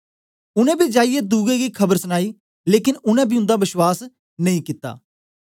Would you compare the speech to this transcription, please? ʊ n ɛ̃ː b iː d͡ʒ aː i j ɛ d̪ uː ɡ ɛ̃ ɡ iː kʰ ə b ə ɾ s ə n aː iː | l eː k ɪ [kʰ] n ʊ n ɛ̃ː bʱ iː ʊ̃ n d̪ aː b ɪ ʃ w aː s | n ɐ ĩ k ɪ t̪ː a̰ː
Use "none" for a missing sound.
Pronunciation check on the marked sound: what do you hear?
none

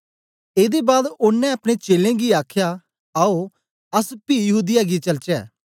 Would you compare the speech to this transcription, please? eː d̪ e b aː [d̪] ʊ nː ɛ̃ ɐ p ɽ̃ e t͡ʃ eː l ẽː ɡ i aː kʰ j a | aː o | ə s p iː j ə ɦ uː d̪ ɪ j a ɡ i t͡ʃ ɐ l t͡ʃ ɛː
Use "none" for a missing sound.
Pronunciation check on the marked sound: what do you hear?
d̪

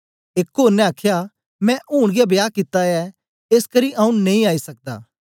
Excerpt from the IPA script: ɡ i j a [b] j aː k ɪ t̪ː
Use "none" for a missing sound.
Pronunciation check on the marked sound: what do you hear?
b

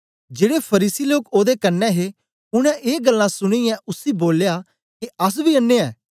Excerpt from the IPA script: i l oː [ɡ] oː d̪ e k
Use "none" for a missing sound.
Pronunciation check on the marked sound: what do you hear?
k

